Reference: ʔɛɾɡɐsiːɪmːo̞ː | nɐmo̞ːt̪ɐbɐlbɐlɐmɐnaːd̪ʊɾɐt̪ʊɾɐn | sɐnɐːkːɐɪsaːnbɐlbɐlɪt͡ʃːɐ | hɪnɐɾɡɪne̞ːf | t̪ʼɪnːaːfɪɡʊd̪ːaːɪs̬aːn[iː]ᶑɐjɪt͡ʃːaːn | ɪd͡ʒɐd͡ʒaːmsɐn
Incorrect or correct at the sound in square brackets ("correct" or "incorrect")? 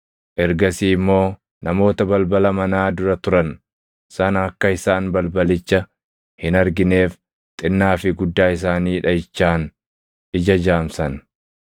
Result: correct